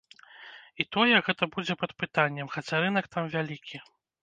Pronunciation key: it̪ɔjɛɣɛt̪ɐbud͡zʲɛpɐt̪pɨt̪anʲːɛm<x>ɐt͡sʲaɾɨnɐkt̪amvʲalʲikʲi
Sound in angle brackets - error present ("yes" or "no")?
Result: no